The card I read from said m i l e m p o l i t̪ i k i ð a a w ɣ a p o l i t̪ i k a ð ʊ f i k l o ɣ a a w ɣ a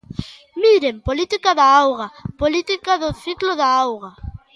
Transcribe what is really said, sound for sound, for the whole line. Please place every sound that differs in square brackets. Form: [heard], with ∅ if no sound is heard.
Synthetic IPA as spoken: m i [ɾ] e m p o l i t̪ i k [a] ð a a w ɣ a p o l i t̪ i k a ð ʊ [θ] i k l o [ð] a a w ɣ a